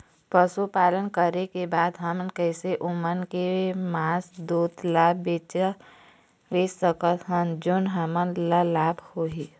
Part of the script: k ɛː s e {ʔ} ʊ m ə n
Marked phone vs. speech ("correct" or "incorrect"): correct